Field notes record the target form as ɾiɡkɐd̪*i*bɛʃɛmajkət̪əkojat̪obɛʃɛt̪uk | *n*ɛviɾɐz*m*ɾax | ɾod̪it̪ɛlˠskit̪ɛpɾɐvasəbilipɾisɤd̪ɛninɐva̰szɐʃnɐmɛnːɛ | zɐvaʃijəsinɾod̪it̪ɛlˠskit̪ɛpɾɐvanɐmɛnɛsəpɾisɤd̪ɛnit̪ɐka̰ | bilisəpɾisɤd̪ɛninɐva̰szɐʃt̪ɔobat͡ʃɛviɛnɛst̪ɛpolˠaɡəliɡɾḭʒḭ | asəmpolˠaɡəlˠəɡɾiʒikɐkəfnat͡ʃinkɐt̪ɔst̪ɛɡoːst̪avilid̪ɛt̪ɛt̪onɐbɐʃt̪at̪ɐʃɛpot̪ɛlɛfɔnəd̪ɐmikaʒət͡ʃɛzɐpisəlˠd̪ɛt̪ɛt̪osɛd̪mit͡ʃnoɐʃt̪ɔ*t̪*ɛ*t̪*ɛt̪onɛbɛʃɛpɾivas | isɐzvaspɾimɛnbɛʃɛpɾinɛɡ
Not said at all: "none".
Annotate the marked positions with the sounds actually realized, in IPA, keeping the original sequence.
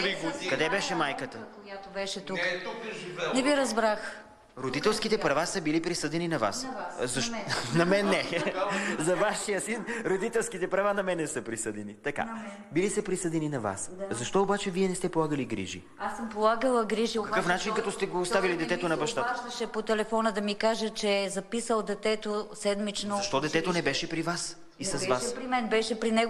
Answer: ɛ, n, b, d̪, t̪

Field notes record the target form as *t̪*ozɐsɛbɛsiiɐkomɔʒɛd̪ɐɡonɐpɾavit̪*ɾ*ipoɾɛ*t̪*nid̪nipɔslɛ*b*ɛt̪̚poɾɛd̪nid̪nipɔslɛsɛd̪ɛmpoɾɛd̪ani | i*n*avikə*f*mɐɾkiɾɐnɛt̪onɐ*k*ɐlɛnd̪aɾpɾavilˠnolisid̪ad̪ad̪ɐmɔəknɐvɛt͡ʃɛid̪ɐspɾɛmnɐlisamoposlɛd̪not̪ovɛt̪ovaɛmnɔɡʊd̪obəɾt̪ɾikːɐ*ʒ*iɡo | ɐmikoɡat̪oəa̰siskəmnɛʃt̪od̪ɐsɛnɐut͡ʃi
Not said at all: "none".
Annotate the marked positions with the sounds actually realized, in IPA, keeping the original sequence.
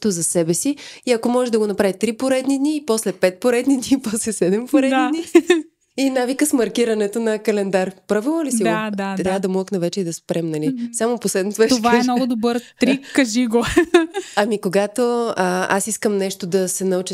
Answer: t̪, ɾ, d̪, p, n, s, k, ʒ

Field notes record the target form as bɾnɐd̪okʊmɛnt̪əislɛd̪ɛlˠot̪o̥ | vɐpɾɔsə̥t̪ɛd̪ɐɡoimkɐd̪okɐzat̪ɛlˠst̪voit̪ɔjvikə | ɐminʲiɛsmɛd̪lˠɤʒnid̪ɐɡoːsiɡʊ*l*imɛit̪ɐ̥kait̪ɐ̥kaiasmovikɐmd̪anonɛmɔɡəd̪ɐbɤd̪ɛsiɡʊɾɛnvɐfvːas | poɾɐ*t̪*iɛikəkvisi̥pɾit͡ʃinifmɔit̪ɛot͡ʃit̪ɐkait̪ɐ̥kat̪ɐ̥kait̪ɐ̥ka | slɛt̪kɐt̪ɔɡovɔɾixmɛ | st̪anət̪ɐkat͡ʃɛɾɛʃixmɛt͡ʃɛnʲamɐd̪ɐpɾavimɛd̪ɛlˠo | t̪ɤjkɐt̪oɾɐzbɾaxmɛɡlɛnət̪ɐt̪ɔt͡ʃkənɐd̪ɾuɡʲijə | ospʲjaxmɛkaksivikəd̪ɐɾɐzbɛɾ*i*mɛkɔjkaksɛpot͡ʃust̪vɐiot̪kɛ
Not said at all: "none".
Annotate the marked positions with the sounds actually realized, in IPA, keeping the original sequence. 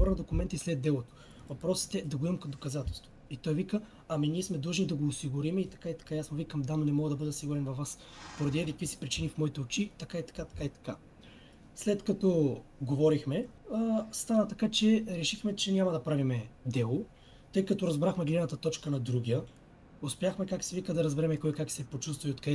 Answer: ɾ, d̪, ɛ

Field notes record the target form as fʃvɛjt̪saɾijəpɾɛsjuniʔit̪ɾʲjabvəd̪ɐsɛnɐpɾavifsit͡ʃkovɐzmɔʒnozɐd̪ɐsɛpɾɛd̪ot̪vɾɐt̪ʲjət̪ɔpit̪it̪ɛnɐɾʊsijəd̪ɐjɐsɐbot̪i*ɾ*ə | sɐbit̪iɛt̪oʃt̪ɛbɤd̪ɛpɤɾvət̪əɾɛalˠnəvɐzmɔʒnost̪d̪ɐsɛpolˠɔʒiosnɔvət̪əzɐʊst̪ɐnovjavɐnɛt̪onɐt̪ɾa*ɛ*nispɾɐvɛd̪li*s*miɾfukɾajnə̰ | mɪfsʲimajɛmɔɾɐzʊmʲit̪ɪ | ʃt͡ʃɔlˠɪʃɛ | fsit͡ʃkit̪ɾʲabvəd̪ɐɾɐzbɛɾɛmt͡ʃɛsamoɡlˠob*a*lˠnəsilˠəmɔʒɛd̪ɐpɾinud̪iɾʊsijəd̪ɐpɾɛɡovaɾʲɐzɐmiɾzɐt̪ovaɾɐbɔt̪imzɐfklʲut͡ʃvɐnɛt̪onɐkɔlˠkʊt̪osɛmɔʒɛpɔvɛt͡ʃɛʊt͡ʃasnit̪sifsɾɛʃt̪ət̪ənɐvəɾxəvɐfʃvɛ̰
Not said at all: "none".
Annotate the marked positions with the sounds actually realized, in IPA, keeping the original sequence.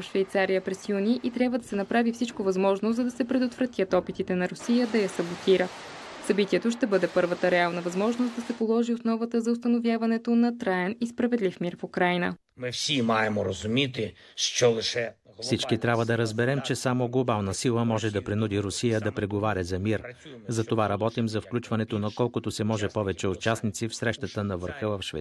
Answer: ɾ, ɛ, f, a

